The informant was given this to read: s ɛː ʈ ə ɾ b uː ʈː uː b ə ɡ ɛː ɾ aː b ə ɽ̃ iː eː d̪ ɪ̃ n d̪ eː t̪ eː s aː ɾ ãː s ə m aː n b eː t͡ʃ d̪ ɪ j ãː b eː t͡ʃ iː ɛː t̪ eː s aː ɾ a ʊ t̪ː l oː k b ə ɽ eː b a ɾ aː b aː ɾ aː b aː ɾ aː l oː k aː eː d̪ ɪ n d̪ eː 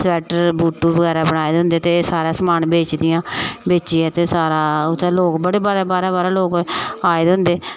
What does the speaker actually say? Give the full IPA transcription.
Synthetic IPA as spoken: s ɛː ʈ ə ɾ b uː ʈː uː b ə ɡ ɛː ɾ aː b ə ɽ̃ aː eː d̪ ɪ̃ n d̪ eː t̪ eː s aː ɾ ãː s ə m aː n b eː t͡ʃ d̪ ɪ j ãː b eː t͡ʃ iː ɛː t̪ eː s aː ɾ a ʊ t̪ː l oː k b ə ɽ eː b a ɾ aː b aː ɾ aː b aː ɾ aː l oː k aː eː d̪ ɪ n d̪ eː